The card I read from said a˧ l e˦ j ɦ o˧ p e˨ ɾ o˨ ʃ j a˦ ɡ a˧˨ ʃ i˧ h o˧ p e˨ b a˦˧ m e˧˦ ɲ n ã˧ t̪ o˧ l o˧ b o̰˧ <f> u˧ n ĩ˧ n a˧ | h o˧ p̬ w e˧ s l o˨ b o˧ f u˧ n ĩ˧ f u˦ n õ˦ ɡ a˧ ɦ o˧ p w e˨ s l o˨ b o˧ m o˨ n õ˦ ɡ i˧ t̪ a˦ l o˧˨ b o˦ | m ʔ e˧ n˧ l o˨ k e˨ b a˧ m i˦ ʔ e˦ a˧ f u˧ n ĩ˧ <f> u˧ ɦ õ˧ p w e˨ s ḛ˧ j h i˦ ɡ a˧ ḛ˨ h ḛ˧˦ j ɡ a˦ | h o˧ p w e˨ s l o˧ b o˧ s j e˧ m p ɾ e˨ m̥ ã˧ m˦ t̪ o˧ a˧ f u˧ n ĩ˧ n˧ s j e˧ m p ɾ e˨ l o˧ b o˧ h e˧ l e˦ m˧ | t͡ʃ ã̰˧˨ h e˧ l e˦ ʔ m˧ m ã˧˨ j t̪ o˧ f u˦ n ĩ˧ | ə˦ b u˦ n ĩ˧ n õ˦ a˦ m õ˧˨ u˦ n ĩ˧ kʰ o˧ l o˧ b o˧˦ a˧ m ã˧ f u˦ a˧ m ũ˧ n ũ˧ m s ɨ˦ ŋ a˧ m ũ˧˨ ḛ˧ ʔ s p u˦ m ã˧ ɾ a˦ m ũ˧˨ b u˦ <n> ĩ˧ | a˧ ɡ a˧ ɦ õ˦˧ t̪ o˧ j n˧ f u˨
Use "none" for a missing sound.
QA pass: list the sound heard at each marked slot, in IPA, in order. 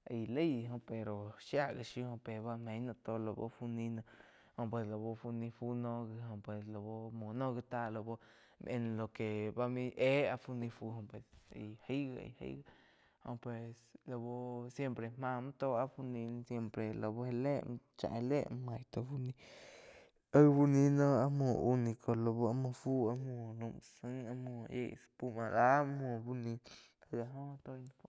f, f, n

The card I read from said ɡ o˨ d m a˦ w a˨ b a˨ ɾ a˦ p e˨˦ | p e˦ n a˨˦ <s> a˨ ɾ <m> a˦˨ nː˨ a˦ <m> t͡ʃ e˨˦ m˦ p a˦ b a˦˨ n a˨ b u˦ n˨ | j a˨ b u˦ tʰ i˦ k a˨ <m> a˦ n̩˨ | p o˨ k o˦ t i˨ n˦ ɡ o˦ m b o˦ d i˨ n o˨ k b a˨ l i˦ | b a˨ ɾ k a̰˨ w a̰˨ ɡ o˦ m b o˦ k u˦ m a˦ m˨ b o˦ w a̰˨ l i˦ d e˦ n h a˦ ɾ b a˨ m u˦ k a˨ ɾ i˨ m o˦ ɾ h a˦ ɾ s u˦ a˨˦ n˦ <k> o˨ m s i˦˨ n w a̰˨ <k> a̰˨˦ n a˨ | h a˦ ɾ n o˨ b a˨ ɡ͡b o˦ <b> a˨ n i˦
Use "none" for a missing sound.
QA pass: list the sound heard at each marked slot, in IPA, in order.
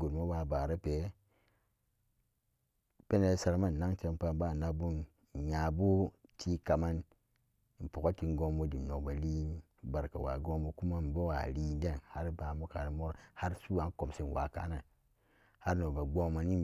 s, m, ŋ, m, k, k, m

